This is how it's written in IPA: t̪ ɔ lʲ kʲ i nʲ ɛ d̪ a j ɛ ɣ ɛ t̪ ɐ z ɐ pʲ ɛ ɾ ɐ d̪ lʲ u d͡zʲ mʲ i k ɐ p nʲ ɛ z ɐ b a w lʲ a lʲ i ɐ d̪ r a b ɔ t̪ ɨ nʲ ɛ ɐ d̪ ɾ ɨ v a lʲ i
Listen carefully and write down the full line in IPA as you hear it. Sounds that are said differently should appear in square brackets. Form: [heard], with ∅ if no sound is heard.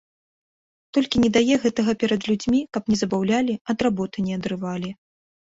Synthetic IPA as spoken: t̪ ɔ lʲ kʲ i nʲ ɛ d̪ a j ɛ ɣ ɛ t̪ ɐ [ɣ] ɐ pʲ ɛ ɾ ɐ d̪ lʲ u d͡zʲ mʲ i k ɐ p nʲ ɛ z ɐ b a w lʲ a lʲ i ɐ d̪ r a b ɔ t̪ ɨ nʲ ɛ ɐ d̪ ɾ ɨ v a lʲ i